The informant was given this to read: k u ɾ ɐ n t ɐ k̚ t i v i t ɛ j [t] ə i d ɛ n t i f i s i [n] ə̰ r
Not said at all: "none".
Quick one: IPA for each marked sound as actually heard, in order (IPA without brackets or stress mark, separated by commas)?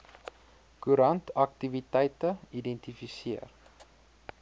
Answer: t, none